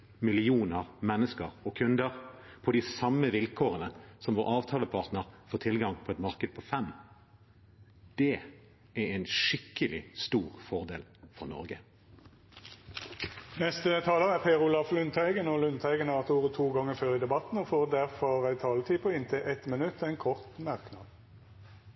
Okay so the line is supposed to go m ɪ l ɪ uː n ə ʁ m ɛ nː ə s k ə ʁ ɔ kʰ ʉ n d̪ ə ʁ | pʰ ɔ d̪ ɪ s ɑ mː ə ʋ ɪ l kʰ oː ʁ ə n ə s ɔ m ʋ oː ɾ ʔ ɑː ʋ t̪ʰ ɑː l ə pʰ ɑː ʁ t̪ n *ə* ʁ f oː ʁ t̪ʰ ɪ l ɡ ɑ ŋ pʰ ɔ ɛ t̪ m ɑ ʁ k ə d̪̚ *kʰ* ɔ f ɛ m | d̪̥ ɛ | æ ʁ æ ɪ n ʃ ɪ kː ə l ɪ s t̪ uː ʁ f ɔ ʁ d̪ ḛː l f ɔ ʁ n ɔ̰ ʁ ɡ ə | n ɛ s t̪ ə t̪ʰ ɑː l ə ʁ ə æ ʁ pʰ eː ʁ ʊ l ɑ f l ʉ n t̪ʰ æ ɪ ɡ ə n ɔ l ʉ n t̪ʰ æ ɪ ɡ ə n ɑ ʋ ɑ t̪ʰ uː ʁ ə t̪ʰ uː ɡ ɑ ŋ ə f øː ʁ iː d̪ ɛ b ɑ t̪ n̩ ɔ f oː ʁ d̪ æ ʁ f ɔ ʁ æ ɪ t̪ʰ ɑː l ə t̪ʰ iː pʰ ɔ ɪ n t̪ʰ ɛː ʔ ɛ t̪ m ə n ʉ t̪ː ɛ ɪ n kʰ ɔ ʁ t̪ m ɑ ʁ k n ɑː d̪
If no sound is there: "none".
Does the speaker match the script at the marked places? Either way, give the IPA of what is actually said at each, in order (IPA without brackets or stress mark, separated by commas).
ə, pʰ